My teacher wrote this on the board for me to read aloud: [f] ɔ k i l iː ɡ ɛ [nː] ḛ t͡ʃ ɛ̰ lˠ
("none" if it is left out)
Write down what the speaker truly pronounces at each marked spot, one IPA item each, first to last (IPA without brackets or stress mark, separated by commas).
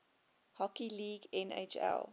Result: h, n